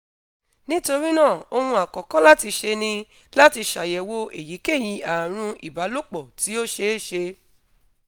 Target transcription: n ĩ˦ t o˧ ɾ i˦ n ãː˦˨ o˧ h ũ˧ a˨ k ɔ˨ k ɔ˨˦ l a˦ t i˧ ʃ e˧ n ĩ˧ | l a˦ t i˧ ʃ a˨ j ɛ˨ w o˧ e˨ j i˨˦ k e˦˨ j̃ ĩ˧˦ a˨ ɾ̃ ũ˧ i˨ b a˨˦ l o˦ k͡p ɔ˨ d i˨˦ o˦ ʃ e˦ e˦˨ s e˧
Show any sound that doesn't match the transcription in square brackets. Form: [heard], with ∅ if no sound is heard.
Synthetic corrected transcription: n ĩ˦ t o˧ ɾ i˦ n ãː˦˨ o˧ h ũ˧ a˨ k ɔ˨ k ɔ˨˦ l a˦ t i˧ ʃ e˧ n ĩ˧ | l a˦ t i˧ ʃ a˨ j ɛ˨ w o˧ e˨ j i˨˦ k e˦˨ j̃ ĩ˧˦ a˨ ɾ̃ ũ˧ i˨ b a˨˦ l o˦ k͡p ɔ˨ [t] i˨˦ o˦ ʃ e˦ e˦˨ [ʃ] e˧